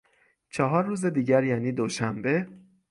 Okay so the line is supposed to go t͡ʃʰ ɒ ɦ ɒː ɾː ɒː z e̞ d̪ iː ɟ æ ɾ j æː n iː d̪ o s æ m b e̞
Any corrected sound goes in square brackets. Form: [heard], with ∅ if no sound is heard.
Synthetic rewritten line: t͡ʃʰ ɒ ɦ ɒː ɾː [uː] z e̞ d̪ iː ɟ æ ɾ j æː n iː d̪ o [ʃ] æ m b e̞